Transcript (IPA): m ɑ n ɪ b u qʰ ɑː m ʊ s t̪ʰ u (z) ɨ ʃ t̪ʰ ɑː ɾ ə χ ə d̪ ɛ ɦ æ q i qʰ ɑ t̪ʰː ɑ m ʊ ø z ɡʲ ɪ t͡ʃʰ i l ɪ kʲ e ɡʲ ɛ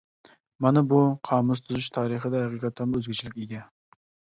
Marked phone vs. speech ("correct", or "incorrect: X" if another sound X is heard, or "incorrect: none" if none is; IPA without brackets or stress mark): correct